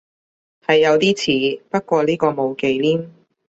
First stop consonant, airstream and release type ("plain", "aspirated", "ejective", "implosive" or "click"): plain